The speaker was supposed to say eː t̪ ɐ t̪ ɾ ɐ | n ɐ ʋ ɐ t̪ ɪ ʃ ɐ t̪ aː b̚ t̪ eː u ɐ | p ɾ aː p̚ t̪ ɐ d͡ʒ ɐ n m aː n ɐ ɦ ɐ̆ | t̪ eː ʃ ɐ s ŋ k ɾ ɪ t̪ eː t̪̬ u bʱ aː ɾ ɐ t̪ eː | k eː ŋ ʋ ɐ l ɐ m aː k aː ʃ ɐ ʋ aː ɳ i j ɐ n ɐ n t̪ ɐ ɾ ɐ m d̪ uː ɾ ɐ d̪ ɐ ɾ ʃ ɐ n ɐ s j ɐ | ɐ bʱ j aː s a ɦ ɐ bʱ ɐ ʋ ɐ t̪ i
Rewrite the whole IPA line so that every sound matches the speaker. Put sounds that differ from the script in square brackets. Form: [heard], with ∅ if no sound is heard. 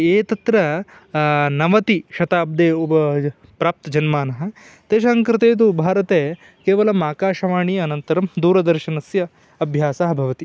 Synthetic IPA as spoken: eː t̪ ɐ t̪ ɾ ɐ | n ɐ ʋ ɐ t̪ [i] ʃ ɐ t̪ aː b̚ [d̪] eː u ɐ | p ɾ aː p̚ t̪ ɐ d͡ʒ ɐ n m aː n ɐ ɦ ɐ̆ | t̪ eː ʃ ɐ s ŋ k ɾ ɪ t̪ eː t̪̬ u bʱ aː ɾ ɐ t̪ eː | k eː [∅] ʋ ɐ l ɐ m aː k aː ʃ ɐ ʋ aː ɳ i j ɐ n ɐ n t̪ ɐ ɾ ɐ m d̪ uː ɾ ɐ d̪ ɐ ɾ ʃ ɐ n ɐ s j ɐ | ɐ bʱ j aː s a ɦ ɐ bʱ ɐ ʋ ɐ t̪ i